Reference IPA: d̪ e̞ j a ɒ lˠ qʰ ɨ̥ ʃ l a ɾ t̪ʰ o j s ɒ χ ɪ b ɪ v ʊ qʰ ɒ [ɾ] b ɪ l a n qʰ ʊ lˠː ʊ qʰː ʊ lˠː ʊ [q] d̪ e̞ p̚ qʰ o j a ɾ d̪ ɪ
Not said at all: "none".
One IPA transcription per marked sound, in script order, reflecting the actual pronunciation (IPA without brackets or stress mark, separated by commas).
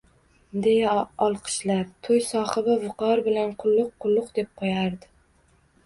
ɾ, q